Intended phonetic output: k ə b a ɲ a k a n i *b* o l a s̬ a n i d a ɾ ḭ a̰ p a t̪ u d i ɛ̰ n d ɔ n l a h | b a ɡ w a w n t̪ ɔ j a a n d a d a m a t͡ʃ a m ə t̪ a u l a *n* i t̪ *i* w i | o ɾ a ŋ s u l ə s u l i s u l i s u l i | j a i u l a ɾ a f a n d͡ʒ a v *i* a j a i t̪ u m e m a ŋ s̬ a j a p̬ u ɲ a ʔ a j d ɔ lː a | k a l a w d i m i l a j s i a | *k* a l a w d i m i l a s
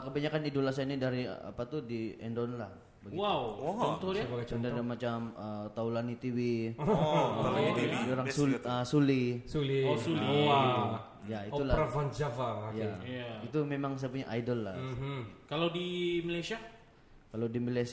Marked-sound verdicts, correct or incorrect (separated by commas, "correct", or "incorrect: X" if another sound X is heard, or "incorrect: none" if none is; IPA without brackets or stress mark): incorrect: d, correct, correct, incorrect: a, correct